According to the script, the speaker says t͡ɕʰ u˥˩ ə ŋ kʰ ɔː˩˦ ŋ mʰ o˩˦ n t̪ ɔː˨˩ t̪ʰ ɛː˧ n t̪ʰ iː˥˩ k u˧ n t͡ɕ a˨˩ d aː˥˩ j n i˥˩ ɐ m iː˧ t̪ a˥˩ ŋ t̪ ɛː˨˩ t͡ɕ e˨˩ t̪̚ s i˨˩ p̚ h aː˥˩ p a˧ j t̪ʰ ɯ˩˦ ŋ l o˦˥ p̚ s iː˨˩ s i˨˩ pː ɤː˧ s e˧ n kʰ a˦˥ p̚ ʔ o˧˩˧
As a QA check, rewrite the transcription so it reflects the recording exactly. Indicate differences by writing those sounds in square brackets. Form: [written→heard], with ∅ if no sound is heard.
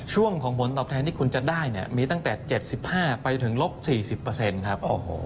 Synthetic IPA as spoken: t͡ɕʰ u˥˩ ə ŋ kʰ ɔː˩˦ ŋ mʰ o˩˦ n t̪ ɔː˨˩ t̪ʰ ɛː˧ n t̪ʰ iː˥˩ k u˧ n t͡ɕ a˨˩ d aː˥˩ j n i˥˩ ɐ m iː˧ t̪ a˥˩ ŋ t̪ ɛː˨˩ t͡ɕ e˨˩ t̪̚ s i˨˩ p̚ h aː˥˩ p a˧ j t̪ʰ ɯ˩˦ ŋ l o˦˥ p̚ s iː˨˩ s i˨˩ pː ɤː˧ s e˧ n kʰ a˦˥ p̚ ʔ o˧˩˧